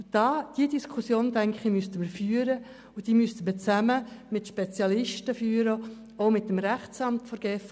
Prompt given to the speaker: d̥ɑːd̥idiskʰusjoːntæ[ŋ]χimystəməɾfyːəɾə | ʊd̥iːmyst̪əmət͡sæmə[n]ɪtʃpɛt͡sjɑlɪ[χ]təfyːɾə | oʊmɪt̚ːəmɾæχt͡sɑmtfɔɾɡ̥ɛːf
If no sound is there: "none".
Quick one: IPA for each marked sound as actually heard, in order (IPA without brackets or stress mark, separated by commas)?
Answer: ŋ, m, ʃ